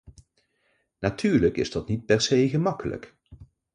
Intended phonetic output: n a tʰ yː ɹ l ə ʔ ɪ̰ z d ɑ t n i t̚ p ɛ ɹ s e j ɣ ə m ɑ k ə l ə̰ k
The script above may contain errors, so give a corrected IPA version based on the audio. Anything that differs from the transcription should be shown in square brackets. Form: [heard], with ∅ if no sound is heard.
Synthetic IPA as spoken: n a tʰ yː ɹ l ə [k] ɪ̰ z d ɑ t n i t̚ p ɛ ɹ s e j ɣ ə m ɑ k ə l ə̰ k